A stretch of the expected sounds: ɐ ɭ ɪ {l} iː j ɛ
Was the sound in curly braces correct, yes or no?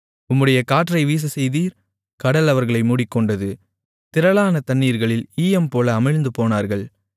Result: yes